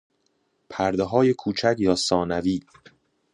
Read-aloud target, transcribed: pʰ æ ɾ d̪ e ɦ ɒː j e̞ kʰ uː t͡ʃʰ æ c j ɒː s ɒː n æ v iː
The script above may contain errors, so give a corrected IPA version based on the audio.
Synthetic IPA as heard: pʰ æ ɾ d̪ e ɦ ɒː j e̞ kʰ uː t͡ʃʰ æ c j ɒː s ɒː n æ v iː